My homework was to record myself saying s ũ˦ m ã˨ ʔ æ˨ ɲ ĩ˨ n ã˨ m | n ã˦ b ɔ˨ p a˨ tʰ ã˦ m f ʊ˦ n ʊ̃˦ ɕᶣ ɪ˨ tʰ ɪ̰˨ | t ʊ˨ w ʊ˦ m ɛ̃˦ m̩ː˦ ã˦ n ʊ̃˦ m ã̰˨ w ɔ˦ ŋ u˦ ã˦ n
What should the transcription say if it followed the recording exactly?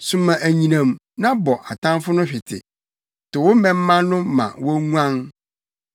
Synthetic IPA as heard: s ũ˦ m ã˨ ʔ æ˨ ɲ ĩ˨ n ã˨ m | n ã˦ b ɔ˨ ʔ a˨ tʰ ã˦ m f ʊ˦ n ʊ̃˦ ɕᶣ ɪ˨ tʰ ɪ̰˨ | t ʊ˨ w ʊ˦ m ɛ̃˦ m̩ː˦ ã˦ n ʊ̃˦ m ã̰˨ w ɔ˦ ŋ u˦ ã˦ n